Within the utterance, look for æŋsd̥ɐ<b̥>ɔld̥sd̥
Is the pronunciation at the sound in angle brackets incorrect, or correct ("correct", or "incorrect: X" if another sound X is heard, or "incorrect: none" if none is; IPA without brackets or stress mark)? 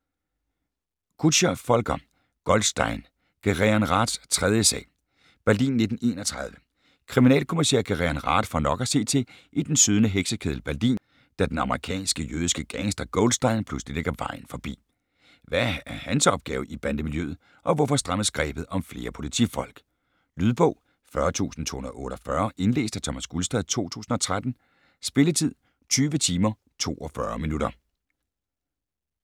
incorrect: ɡ̥